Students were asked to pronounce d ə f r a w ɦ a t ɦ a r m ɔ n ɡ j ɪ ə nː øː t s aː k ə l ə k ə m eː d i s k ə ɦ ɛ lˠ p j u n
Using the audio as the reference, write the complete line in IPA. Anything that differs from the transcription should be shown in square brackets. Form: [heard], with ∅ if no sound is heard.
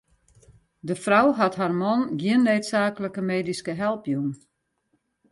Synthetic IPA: d ə f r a w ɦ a t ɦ a r m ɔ n ɡ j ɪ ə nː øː t s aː k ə l ə k ə m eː d i s k ə ɦ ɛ lˠ p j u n